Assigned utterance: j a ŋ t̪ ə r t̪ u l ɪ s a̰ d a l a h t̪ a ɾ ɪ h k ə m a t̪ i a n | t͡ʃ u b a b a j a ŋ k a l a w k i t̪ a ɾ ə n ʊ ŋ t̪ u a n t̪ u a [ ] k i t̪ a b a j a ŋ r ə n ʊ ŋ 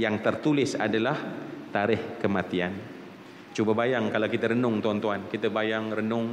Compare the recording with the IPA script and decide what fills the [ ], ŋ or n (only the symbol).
n